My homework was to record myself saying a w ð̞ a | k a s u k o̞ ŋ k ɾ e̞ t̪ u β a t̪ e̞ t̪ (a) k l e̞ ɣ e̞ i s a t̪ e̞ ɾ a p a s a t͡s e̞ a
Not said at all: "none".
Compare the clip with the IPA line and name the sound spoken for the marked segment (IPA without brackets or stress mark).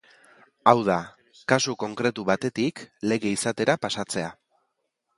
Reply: i